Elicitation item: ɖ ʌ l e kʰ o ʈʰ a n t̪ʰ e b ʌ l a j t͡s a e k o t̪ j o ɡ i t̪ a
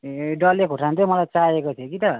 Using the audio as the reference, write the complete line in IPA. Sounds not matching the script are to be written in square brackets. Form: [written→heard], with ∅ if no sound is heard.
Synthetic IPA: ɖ ʌ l e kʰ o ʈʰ a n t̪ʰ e [b→m] ʌ l a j t͡s a e k o [t̪→t̪ʰ] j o [ɡ→k] i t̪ [a→ʌ]